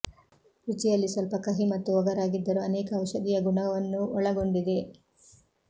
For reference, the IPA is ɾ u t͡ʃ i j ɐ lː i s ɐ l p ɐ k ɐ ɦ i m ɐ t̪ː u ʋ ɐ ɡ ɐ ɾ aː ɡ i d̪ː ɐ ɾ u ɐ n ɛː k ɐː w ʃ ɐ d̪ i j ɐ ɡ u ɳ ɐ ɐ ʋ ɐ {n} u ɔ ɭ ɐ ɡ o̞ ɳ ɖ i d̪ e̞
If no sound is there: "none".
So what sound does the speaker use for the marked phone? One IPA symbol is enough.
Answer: nː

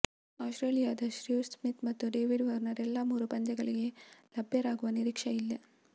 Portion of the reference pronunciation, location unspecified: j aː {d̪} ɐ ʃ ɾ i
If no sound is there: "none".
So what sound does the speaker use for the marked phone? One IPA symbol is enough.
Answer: d̪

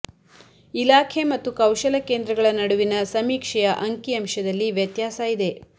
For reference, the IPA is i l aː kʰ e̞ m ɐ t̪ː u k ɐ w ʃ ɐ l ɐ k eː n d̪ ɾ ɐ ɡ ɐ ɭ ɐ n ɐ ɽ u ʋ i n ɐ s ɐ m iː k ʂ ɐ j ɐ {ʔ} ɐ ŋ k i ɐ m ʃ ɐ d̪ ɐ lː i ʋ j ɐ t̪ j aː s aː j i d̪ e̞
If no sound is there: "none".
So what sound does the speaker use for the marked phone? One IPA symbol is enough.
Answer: ʔ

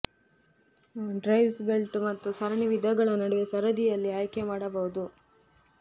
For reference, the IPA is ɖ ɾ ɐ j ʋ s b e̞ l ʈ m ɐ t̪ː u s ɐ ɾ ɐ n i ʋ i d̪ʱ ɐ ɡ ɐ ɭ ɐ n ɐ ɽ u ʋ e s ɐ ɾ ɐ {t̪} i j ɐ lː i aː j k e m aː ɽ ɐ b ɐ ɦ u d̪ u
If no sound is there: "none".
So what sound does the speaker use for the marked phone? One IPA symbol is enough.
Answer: d̪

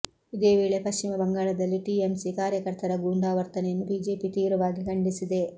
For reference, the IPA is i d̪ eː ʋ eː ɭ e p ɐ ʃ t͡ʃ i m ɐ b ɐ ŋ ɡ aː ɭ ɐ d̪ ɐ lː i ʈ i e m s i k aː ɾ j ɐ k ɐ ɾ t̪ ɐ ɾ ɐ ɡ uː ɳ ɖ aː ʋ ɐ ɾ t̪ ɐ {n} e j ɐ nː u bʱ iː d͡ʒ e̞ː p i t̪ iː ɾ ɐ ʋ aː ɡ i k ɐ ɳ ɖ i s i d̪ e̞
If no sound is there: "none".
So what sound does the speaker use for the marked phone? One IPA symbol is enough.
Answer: n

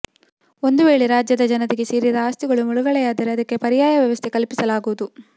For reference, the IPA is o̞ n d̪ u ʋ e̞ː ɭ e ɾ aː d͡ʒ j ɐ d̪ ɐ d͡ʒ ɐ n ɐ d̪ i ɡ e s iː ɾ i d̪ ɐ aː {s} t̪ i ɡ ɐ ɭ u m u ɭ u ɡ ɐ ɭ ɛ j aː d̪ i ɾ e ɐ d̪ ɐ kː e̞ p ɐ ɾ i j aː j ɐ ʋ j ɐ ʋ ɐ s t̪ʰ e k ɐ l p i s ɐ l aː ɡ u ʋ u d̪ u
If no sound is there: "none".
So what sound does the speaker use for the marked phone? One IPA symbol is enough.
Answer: s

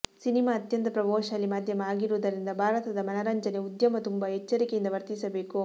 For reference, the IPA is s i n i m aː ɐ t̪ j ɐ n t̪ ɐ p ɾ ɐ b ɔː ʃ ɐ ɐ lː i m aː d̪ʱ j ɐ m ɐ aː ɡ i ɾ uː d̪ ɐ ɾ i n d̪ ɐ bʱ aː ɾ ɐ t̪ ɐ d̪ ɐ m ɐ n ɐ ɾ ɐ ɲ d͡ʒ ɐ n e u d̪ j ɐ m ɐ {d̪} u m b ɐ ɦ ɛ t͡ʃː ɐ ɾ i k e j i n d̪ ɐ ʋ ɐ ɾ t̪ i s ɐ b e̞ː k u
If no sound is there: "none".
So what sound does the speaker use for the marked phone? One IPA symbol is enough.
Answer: t̪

